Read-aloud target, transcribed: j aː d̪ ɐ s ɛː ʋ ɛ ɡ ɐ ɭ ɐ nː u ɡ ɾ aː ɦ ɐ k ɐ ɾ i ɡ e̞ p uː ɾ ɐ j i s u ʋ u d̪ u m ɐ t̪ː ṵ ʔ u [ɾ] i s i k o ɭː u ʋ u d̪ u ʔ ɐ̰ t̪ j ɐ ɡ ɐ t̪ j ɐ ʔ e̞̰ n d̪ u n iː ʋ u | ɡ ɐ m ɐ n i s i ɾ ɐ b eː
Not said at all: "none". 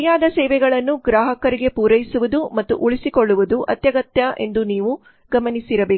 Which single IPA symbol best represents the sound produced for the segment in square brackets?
ɭ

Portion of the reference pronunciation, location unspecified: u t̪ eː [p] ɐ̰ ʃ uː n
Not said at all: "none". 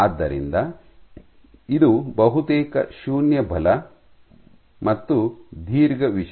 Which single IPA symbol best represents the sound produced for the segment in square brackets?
k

